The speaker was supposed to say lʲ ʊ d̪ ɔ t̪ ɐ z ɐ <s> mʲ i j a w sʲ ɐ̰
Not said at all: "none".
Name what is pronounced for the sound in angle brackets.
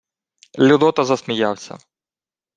s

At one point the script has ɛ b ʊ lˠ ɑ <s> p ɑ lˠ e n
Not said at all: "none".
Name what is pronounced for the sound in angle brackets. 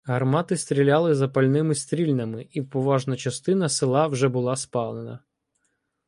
s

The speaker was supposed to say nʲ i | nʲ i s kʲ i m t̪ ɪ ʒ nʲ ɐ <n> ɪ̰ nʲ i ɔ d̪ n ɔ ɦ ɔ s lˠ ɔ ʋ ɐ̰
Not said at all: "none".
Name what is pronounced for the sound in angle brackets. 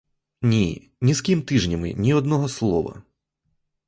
m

